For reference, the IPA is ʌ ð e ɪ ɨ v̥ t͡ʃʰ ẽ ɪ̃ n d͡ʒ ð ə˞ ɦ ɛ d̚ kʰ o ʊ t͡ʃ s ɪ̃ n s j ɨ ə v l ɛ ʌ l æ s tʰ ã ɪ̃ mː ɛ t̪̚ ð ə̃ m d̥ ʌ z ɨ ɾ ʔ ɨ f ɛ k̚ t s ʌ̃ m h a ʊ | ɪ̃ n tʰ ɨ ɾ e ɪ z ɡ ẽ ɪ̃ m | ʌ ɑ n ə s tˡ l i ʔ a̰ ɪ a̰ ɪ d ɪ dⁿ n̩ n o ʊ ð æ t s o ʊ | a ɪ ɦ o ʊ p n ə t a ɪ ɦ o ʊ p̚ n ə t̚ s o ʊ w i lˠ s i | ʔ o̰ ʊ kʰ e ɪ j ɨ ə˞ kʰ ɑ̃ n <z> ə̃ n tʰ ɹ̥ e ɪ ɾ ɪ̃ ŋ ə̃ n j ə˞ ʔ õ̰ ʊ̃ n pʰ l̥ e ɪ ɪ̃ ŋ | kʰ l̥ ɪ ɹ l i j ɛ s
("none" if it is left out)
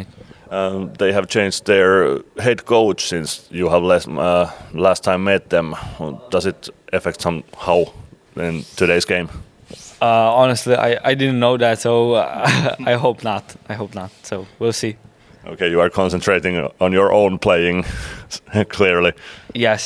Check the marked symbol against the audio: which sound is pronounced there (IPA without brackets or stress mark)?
s